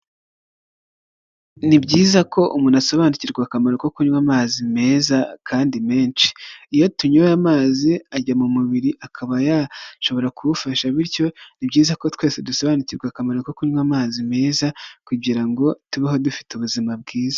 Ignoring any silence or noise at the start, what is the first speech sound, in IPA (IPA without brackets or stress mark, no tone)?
n